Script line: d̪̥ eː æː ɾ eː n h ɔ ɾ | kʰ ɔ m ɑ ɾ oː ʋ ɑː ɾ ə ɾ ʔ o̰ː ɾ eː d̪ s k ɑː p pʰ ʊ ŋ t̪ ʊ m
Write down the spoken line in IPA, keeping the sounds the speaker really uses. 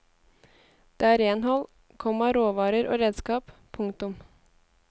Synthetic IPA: d̪̥ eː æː ɾ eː n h ɔ l | kʰ ɔ m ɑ ɾ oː ʋ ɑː ɾ ə ɾ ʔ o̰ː ɾ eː d̪ s k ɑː p pʰ ʊ ŋ t̪ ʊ m